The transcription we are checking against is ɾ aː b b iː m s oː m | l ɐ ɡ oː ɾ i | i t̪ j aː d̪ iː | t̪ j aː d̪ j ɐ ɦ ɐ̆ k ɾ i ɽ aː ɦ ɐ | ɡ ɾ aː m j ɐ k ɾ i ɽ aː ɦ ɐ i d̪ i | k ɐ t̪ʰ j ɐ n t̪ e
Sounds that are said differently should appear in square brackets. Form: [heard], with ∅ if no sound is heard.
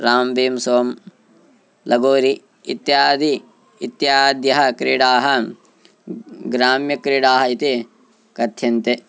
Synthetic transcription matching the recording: ɾ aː [m] b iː m s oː m | l ɐ ɡ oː ɾ i | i t̪ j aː d̪ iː | t̪ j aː d̪ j ɐ ɦ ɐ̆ k ɾ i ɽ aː ɦ ɐ | ɡ ɾ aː m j ɐ k ɾ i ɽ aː ɦ ɐ i [t̪] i | k ɐ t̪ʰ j ɐ n t̪ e

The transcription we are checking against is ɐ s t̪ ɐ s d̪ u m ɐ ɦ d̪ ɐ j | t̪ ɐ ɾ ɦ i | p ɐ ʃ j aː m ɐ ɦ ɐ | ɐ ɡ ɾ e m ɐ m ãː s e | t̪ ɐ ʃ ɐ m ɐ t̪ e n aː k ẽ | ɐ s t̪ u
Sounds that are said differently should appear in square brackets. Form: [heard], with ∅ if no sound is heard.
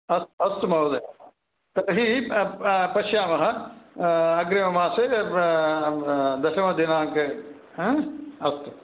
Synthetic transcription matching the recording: ɐ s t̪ ɐ s [t̪] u m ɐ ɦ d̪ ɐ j | t̪ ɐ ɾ ɦ i | p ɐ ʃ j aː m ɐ ɦ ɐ | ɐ ɡ ɾ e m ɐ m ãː s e | [d̪] ɐ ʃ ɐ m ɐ [d̪] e n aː k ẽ | ɐ s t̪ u

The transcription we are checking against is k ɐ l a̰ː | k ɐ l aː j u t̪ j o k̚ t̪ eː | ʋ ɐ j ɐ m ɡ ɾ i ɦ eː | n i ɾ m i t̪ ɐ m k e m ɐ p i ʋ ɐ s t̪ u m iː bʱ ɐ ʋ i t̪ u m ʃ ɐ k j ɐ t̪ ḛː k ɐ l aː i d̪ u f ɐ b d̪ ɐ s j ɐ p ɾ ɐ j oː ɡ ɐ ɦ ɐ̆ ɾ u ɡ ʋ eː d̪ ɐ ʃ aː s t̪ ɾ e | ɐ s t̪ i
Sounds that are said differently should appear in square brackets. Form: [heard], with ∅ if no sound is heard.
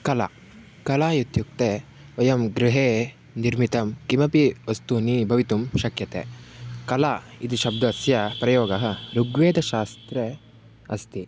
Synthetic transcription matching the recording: k ɐ l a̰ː | k ɐ l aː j u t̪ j [u] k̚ t̪ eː | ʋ ɐ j ɐ m ɡ ɾ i ɦ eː | n i ɾ m i t̪ ɐ m k [i] m ɐ p i ʋ ɐ s t̪ u [n] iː bʱ ɐ ʋ i t̪ u m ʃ ɐ k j ɐ t̪ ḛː k ɐ l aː i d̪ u [ʃ] ɐ b d̪ ɐ s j ɐ p ɾ ɐ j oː ɡ ɐ ɦ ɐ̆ ɾ u ɡ ʋ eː d̪ ɐ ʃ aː s t̪ ɾ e | ɐ s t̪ i

